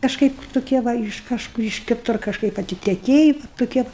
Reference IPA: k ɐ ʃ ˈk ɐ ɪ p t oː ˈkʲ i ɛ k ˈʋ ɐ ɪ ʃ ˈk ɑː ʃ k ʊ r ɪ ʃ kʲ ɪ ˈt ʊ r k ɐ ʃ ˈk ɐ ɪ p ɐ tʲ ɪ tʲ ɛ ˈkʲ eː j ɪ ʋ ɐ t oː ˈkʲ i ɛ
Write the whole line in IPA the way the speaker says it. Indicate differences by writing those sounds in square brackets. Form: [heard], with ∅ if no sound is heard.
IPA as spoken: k ɐ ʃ ˈk ɐ ɪ p t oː ˈkʲ i ɛ [∅] ˈʋ ɐ ɪ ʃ ˈk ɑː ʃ k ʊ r ɪ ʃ kʲ ɪ ˈt ʊ r k ɐ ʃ ˈk ɐ ɪ p ɐ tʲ ɪ tʲ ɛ ˈkʲ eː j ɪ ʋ ɐ t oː ˈkʲ i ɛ